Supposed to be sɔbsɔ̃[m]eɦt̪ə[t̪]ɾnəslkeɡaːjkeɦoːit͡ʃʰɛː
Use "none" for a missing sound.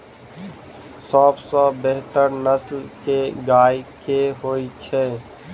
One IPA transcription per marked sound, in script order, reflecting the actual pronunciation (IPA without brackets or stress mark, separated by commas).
b, none